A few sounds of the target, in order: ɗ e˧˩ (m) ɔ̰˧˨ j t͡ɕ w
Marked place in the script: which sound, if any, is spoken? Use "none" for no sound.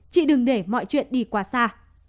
m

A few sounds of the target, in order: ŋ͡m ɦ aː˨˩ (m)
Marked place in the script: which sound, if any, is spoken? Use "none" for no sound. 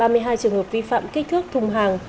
ŋ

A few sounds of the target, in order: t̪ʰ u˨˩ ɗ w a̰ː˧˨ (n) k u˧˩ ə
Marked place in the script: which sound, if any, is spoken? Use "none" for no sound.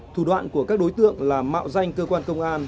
n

